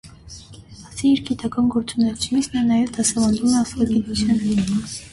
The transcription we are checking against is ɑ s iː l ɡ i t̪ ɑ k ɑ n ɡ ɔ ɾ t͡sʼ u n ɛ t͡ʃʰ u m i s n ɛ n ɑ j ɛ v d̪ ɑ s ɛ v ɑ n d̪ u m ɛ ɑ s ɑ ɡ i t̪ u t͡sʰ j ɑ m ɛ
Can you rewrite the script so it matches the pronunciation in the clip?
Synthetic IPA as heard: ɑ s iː ɾ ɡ i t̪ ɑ k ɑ n ɡ ɔ ɾ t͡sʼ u n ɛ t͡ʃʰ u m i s n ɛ n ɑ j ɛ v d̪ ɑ s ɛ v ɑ n d̪ u m ɛ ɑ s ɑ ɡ i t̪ u t͡sʰ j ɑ n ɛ